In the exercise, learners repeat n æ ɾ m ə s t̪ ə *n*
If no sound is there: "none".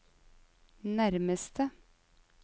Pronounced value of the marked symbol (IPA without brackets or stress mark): none